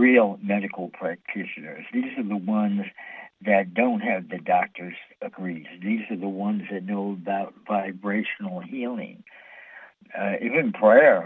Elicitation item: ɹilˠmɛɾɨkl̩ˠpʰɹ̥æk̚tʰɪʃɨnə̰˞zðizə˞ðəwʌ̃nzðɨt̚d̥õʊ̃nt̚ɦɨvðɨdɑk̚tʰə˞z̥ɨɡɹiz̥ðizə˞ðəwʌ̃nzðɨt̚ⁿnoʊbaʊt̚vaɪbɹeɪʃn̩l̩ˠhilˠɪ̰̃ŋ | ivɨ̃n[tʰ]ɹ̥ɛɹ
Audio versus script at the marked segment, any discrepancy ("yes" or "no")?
yes